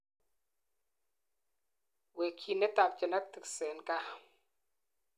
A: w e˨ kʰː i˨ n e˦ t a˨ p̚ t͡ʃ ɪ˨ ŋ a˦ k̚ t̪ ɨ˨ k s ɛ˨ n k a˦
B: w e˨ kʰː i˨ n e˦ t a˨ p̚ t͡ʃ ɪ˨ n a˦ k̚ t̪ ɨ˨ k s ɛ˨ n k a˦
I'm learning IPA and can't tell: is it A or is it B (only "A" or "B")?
B